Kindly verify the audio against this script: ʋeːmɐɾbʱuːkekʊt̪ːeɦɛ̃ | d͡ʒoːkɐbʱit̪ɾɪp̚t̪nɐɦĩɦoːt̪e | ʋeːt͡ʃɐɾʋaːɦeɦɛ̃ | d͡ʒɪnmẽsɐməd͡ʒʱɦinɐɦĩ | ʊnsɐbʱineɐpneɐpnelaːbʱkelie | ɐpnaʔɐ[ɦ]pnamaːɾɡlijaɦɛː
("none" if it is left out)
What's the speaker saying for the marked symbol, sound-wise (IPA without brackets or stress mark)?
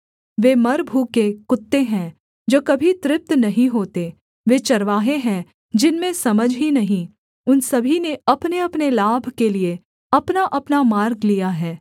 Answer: none